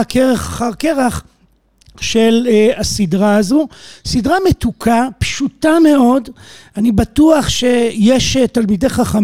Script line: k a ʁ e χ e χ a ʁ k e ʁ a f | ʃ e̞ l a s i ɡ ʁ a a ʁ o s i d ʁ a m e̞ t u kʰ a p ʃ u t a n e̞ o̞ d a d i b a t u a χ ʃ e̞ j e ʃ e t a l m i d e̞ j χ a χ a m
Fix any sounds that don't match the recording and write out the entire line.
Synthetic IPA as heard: k e ʁ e χ a χ a ʁ k e ʁ a χ | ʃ e̞ l a s i d ʁ a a z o s i d ʁ a m e̞ t u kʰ a p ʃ u t a m e̞ o̞ d a n i b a t u a χ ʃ e̞ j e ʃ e t a l m i d e̞ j χ a χ a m